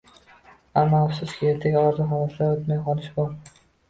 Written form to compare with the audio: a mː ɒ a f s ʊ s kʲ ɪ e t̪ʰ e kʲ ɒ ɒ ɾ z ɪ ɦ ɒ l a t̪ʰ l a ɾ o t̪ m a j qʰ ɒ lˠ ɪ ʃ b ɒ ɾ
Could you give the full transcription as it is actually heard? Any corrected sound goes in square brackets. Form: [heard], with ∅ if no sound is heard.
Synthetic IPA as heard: a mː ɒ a f s ʊ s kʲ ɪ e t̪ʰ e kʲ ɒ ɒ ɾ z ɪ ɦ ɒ l a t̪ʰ l a ɾ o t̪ m a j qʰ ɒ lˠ ɪ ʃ b ɒ ɾ